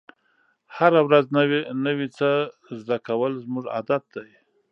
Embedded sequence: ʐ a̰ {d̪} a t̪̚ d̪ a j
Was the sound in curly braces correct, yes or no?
yes